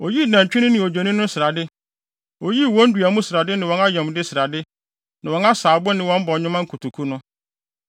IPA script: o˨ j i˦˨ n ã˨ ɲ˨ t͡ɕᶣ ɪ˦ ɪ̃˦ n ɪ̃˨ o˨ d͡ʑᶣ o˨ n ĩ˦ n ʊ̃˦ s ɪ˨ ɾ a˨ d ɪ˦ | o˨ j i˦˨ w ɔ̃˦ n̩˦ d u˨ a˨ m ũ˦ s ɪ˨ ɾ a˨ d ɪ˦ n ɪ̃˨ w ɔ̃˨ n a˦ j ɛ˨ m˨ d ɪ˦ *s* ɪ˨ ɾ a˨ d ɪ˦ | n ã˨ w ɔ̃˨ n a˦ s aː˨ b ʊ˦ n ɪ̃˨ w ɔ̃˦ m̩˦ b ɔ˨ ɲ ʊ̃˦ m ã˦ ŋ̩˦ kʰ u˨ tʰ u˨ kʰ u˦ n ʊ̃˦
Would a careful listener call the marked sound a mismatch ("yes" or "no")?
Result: no